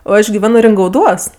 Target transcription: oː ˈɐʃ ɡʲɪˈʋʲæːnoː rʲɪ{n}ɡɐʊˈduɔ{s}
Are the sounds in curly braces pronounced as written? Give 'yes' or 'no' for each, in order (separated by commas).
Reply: no, yes